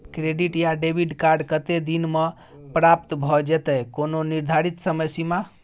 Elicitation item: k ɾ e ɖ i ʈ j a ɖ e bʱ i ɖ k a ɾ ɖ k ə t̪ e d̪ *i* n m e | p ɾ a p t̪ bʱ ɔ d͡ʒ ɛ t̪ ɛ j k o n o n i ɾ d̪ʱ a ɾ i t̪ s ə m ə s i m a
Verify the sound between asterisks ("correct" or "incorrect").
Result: correct